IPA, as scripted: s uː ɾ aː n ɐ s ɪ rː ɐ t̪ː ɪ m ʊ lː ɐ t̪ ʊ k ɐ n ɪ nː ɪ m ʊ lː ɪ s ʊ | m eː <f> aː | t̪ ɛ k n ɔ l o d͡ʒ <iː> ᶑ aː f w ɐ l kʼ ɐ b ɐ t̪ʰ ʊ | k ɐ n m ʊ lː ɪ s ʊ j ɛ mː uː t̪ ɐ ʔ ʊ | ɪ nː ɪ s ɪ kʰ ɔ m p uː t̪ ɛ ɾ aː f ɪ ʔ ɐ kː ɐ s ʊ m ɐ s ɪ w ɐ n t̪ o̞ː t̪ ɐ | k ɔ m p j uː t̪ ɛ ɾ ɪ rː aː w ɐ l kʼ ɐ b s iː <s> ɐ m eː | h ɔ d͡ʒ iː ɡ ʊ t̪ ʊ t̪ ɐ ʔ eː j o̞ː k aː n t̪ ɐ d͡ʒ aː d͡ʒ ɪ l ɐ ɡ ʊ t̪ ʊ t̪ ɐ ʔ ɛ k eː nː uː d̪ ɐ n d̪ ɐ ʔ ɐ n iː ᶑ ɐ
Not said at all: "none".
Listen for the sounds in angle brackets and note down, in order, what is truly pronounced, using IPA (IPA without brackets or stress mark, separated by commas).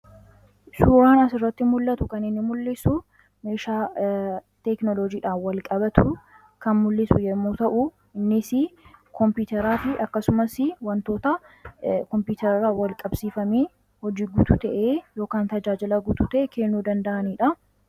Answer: ʃ, iː, f